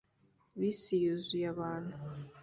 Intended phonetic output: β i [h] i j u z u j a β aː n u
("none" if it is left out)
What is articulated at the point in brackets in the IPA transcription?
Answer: s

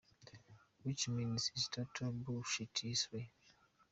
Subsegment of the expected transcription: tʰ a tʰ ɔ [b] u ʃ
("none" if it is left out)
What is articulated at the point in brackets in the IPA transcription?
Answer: b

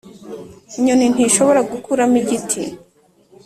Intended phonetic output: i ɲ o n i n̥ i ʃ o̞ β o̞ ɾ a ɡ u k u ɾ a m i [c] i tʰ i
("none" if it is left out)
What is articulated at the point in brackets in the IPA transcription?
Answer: ɟ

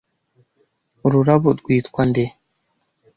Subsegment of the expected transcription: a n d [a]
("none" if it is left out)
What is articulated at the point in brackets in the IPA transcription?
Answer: e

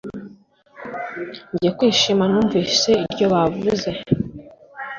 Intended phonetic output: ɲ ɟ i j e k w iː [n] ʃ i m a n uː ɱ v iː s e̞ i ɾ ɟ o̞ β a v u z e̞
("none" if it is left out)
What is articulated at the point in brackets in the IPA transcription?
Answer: none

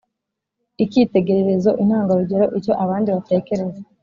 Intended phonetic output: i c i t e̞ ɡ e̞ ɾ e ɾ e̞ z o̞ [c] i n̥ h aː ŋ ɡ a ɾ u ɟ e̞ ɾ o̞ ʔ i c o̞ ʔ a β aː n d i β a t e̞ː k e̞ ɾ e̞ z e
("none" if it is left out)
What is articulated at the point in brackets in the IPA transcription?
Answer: ʔ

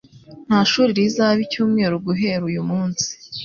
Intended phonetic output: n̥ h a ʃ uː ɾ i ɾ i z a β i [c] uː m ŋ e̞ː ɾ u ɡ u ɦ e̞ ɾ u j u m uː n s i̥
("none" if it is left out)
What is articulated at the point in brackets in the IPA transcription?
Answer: c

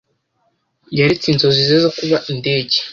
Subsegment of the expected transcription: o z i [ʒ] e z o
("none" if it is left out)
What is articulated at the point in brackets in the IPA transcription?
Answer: z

